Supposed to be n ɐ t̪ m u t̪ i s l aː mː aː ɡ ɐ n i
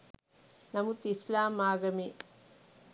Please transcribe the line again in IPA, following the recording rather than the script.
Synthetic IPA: n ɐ m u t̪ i s l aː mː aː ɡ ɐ m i

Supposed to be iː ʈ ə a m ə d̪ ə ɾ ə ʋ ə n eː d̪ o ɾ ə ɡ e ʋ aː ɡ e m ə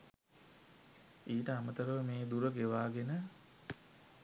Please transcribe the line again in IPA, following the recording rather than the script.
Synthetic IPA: iː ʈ ə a m ə t̪ ə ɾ ə ʋ ə m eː d̪ u ɾ ə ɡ e ʋ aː ɡ e n ə

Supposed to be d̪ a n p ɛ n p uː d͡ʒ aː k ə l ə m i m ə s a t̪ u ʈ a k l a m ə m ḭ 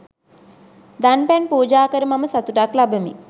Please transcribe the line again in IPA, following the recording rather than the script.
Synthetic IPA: d̪ a n p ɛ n p uː d͡ʒ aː k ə ɾ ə m a m ə s a t̪ u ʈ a k l a b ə m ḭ

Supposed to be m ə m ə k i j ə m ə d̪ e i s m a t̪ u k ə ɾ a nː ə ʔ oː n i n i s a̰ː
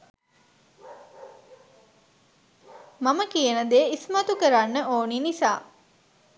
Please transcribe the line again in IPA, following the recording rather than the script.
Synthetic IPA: m a m ə k i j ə n ə d̪ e i s m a t̪ u k ə ɾ a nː ə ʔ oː n i n i s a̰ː

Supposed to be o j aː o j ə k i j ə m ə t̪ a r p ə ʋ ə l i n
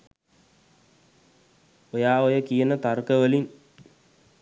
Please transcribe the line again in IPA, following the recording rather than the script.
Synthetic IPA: o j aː o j ə k i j ə n ə t̪ a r k ə ʋ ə l i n

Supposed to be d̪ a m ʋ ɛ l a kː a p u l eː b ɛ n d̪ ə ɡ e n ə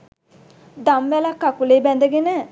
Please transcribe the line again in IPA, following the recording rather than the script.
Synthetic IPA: d̪ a m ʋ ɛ l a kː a k u l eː b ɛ n d̪ ə ɡ e n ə

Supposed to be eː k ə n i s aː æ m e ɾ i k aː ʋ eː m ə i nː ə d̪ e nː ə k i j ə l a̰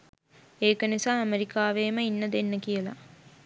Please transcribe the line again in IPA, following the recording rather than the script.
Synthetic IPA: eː k ə n i s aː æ m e ɾ i k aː ʋ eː m ə i nː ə d̪ e nː ə k i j ə l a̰

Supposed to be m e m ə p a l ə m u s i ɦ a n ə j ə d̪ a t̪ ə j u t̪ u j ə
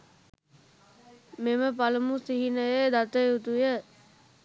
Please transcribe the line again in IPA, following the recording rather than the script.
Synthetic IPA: m e m ə p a l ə m u s i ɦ i n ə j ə d̪ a t̪ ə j u t̪ u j ə

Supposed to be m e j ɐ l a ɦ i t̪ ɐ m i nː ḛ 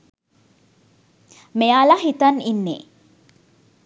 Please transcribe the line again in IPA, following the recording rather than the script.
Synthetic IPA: m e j a l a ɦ i t̪ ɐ n i nː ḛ

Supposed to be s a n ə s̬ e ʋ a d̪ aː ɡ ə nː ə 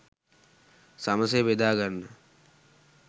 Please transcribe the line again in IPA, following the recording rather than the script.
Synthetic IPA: s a m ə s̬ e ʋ e d̪ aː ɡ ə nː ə

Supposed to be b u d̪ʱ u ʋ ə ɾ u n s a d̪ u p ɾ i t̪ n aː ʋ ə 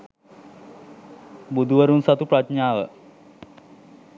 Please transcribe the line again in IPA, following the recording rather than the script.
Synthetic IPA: b u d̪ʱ u ʋ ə ɾ u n s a t̪ u p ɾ a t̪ ɲ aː ʋ ə

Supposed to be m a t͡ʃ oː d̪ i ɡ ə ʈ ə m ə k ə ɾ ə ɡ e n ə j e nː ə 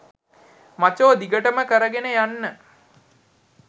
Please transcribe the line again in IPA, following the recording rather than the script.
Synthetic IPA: m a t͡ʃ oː d̪ i ɡ ə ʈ ə m ə k ə ɾ ə ɡ e n ə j a nː ə

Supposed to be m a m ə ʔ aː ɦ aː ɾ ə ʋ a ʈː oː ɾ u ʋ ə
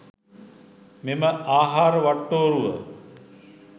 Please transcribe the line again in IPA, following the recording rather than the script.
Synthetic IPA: m e m ə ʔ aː ɦ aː ɾ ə ʋ a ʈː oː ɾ u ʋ ə

